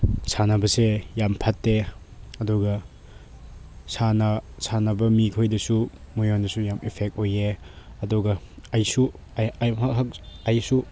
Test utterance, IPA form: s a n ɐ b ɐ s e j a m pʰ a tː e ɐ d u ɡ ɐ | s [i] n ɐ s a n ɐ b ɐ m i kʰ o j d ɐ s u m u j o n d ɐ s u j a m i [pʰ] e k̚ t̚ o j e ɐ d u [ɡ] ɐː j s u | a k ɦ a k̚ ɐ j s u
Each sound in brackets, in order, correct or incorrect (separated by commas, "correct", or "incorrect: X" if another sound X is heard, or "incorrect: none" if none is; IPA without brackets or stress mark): incorrect: a, correct, correct